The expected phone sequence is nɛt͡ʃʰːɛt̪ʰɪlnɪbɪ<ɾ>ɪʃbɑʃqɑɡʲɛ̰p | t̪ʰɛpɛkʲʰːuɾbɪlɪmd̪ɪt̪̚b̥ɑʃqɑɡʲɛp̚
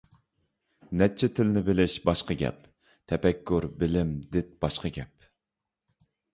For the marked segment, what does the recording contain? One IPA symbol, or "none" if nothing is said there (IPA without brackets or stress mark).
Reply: l